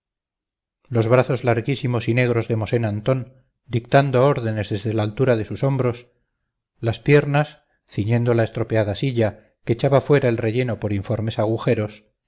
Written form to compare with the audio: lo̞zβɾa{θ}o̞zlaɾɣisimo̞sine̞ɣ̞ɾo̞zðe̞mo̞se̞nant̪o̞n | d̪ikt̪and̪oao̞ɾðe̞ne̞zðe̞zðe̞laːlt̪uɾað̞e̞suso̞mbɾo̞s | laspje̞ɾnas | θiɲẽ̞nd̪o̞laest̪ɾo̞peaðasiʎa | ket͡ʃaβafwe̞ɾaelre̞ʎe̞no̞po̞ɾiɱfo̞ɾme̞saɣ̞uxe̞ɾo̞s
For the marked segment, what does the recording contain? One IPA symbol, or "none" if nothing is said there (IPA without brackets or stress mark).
θ